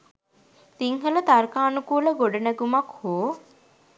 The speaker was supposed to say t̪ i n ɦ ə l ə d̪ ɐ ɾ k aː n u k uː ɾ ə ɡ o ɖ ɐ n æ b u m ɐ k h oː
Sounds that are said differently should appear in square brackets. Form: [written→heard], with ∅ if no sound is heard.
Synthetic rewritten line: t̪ i [n→ŋ] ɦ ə l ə [d̪→t̪] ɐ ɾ k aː n u k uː [ɾ→l] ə ɡ o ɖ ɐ n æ [b→ɡ] u m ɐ k h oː